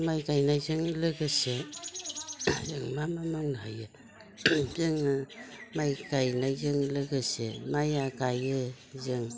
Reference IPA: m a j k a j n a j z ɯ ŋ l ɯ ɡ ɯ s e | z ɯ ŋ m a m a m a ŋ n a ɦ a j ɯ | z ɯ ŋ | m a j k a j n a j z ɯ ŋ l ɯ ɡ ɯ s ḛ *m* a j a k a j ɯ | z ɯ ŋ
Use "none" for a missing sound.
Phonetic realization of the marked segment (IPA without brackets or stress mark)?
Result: m